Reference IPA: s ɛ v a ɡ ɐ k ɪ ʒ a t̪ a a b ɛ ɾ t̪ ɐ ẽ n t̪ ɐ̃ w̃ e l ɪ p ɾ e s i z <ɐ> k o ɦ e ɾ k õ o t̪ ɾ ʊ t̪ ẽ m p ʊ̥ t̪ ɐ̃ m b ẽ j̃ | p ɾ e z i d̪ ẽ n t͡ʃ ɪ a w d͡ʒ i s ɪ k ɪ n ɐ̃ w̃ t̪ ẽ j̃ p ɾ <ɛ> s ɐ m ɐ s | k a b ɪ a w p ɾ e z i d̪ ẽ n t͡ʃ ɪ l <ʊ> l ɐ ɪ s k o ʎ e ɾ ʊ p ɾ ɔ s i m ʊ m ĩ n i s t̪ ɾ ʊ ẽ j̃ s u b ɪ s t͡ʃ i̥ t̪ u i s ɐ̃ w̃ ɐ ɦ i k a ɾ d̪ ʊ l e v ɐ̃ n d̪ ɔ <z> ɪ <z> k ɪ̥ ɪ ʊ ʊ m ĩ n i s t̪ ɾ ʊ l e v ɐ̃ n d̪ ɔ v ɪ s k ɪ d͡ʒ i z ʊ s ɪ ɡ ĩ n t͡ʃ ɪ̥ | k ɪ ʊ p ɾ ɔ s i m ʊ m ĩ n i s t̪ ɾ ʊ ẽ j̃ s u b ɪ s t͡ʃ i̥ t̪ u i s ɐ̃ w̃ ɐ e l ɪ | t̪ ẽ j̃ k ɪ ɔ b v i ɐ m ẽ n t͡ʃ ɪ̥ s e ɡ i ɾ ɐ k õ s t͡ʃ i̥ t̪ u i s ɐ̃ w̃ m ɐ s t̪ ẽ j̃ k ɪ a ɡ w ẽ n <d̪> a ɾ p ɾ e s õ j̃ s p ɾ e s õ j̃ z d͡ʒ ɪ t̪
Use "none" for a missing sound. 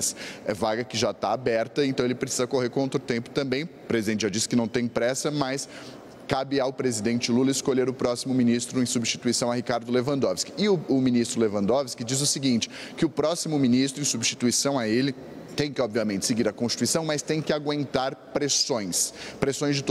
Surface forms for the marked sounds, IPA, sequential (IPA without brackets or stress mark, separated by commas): ɐ, ɛ, u, v, s, t̪